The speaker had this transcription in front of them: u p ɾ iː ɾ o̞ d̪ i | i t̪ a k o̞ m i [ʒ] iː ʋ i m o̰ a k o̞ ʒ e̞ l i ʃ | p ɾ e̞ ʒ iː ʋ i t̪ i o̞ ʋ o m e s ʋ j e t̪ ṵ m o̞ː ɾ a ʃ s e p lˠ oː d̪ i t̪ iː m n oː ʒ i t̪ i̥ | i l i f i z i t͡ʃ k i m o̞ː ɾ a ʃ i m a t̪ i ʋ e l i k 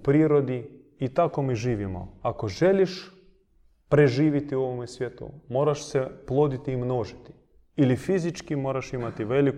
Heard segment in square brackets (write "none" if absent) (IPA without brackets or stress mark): ʒ